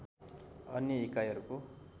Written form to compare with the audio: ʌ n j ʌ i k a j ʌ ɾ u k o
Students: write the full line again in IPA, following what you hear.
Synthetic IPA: ʌ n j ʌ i k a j ʌ ɾ u k o